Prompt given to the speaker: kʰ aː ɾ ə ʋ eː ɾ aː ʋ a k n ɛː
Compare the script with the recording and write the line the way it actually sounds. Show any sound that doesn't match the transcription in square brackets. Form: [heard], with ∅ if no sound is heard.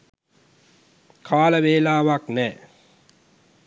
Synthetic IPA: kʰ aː [l] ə ʋ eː [l] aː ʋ a k n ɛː

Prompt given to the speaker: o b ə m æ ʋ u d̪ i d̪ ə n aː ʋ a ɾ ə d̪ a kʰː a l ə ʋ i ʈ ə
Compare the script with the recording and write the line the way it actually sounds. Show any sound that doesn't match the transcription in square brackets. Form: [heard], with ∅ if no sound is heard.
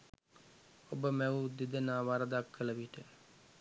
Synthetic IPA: o b ə m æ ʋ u d̪ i d̪ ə n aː ʋ a ɾ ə d̪ a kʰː [ə] l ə ʋ i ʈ ə

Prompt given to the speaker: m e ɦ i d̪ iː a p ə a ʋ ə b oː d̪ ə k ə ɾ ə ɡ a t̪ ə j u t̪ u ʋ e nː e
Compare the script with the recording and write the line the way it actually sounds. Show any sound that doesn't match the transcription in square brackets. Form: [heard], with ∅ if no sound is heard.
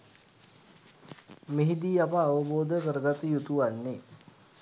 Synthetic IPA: m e ɦ i d̪ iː a p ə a ʋ ə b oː d̪ ə k ə ɾ ə ɡ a t̪ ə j u t̪ u ʋ [a] nː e

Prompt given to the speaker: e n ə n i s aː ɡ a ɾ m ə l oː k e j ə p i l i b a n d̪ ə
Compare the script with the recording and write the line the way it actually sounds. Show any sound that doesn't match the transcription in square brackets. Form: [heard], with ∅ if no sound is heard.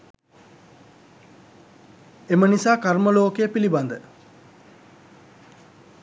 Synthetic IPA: e [m] ə n i s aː [k] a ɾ m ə l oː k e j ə p i l i b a n d̪ ə

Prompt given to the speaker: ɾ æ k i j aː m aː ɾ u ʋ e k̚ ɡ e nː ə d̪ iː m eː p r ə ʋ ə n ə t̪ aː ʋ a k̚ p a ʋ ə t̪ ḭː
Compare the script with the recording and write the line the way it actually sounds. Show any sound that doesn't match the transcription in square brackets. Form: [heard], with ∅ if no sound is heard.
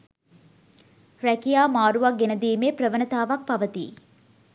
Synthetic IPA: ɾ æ k i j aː m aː ɾ u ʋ [a] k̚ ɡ e [n] ə d̪ iː m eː p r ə ʋ ə n ə t̪ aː ʋ a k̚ p a ʋ ə t̪ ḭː

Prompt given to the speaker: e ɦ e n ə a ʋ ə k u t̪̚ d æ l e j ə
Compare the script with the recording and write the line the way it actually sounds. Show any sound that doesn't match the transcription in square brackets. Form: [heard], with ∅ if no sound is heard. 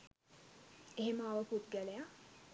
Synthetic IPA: e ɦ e [m] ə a ʋ ə [p] u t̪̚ [ɡ] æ l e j [a]

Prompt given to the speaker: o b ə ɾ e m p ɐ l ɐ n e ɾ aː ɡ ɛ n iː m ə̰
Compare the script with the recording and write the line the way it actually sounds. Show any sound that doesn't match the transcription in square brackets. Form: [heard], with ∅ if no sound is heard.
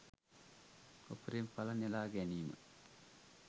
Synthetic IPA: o [p] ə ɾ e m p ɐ l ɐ n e [l] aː ɡ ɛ n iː m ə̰

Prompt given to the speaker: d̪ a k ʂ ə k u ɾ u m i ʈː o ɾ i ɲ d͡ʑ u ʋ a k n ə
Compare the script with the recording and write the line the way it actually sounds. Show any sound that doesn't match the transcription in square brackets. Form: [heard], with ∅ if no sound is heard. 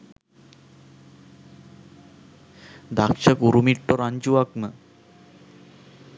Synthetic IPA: d̪ a k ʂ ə k u ɾ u m i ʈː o ɾ [a] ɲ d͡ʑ u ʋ a k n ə

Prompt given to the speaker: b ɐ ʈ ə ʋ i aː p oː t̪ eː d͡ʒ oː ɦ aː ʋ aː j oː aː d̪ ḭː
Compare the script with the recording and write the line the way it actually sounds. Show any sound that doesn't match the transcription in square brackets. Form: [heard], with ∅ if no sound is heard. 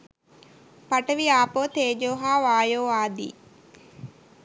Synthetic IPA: [p] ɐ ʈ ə ʋ i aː p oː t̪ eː d͡ʒ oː ɦ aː ʋ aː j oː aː d̪ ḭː

